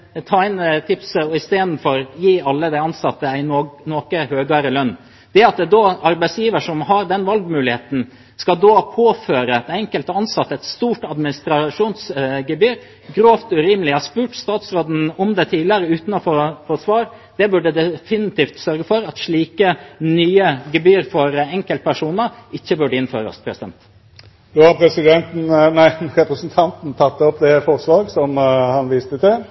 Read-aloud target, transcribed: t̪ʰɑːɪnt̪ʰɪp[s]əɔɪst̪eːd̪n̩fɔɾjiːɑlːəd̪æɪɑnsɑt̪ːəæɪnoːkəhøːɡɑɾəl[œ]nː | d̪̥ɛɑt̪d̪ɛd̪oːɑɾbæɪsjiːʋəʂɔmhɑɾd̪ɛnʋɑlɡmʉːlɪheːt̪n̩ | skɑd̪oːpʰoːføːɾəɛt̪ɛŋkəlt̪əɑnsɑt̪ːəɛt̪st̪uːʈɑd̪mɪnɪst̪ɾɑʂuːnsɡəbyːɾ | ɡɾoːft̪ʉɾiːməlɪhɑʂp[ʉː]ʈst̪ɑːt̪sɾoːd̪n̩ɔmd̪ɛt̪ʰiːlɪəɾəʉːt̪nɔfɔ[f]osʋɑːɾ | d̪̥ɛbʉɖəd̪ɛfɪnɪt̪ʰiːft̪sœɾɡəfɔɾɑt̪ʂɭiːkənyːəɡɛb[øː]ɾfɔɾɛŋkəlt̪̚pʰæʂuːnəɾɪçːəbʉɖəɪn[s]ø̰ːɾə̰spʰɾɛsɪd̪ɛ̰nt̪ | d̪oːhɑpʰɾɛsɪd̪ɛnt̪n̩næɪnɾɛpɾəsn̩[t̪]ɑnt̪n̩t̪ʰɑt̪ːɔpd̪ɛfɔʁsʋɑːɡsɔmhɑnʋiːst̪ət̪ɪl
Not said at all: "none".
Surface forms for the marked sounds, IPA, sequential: s, œ, ʉː, f, yː, f, t̪ʰ

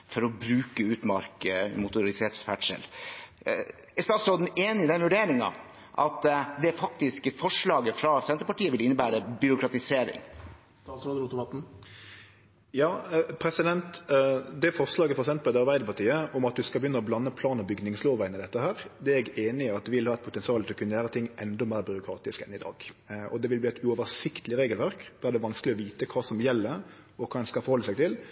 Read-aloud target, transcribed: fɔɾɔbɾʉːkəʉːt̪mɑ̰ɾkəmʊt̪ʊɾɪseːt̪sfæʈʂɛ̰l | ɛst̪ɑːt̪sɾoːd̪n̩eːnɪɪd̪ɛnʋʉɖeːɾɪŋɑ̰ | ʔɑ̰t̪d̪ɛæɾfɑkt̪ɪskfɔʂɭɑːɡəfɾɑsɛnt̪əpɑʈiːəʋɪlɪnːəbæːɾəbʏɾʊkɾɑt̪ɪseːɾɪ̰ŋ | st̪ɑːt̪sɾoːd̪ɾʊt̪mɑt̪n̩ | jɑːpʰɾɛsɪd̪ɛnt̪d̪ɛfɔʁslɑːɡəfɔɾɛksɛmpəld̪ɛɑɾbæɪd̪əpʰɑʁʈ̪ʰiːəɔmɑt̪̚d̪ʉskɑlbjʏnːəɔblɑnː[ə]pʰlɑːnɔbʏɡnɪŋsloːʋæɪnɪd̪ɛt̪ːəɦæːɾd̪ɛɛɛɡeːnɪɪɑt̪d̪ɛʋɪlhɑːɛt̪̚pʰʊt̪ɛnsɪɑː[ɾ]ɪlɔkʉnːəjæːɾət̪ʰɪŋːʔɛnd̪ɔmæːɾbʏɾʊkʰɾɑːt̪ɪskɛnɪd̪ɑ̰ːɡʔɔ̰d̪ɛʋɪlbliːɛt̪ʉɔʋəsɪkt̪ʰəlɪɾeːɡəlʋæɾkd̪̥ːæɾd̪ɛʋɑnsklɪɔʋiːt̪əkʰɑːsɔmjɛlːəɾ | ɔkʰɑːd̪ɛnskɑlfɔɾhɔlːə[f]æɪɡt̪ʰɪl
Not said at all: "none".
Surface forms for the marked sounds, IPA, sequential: ə, l, s

